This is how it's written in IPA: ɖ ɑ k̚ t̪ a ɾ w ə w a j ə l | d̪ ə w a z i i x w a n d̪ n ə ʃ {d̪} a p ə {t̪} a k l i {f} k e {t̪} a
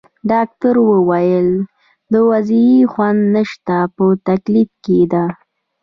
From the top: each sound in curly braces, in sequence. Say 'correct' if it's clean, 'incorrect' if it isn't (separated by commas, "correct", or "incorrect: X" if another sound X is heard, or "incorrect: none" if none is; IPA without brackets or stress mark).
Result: incorrect: t̪, correct, correct, incorrect: d̪